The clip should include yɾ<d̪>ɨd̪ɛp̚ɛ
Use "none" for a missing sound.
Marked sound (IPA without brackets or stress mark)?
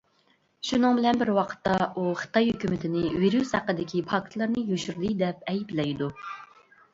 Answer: d̪